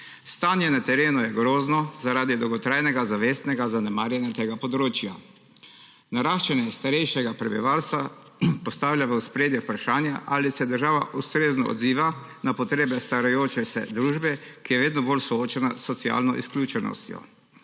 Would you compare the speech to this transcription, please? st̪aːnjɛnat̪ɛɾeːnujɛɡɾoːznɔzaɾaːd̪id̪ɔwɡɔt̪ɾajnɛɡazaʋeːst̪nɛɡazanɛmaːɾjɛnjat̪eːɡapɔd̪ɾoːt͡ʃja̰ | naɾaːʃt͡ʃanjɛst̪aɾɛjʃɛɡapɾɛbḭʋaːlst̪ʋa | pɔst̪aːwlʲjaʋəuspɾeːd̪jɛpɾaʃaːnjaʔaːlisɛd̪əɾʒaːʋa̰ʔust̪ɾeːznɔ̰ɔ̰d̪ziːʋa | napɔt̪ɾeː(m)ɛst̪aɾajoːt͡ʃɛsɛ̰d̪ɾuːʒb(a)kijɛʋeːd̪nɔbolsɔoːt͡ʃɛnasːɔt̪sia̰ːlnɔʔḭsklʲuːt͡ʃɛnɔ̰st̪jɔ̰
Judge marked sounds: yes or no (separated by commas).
no, no